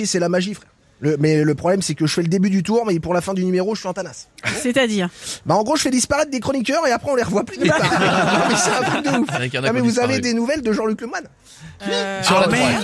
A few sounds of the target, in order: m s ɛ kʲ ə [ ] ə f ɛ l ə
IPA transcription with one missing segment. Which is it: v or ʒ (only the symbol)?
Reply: ʒ